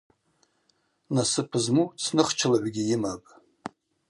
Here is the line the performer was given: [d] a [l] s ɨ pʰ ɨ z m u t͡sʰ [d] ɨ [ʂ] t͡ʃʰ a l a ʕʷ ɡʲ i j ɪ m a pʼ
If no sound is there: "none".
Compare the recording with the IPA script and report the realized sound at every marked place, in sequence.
n, none, n, χ

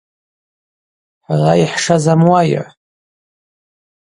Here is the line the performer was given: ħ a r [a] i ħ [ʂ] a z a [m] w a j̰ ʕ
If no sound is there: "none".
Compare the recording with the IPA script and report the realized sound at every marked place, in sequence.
a, ʂ, m

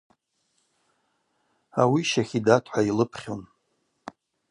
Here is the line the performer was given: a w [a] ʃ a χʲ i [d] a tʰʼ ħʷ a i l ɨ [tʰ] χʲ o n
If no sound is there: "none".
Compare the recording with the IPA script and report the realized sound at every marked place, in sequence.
i, d, pʰ

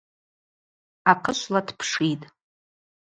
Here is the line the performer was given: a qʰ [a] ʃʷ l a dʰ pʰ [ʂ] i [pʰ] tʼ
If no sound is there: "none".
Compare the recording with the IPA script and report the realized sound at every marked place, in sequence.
ə, ʂ, none

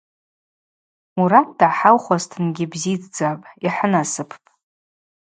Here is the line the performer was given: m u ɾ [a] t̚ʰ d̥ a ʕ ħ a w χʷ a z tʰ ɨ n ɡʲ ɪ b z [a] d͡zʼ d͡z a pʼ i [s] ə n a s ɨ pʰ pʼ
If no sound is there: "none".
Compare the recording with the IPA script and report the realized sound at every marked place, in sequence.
a, i, ħ

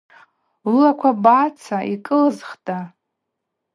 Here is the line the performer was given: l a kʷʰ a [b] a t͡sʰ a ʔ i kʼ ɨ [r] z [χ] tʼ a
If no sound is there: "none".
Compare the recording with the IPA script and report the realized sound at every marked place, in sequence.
b, l, χ

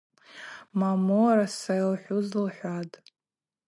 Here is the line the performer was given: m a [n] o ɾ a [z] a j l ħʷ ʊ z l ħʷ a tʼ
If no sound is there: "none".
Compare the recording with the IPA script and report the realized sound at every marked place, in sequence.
m, s

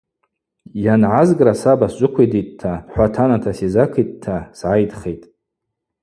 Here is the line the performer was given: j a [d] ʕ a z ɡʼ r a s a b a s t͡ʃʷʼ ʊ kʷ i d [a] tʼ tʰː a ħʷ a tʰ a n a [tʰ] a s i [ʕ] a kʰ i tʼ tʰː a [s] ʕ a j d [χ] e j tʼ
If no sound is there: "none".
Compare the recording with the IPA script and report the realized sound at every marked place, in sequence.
n, i, tʰ, z, s, χ

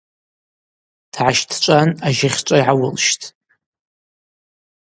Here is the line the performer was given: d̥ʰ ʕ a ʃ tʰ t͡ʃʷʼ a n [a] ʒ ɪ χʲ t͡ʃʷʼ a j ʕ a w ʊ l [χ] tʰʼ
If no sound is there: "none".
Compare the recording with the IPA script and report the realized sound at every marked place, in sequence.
a, ʃ

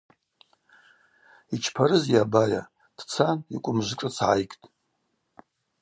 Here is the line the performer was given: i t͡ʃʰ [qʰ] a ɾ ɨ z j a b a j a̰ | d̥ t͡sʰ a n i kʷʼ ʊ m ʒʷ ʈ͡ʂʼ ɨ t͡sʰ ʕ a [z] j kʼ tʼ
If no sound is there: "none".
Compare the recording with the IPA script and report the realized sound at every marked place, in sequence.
pʰ, none

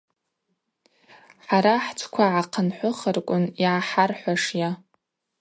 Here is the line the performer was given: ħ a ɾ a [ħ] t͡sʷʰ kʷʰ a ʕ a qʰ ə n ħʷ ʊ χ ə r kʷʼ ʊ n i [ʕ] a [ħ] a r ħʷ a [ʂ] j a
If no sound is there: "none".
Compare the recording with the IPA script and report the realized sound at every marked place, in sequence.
ħ, ʕ, ħ, ʂ

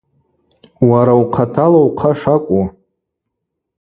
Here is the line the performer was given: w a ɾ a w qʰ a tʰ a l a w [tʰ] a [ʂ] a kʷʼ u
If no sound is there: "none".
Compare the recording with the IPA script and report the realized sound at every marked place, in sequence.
qʰ, ʂ

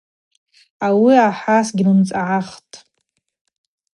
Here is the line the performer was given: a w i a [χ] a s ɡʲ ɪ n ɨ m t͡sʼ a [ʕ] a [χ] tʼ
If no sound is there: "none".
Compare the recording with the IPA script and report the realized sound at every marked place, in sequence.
ħ, ʕ, χ

